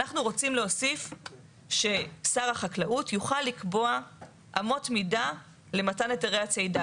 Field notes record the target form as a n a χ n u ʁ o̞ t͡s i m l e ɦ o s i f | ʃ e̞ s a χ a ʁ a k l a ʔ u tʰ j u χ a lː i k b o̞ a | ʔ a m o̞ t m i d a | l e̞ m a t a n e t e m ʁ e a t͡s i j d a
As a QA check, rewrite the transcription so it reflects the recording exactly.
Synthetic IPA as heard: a n a χ n u ʁ o̞ t͡s i m l e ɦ o s i f | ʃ e̞ s a ʁ a χ a k l a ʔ u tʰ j u χ a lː i k b o̞ a | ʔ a m o̞ t m i d a | l e̞ m a t a n e t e ʁ e a t͡s e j d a